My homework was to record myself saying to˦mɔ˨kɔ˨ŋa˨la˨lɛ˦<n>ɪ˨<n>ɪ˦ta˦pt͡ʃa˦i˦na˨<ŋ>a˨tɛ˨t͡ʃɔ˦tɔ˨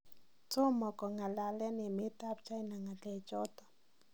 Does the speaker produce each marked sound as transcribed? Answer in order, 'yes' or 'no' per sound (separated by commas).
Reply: yes, no, yes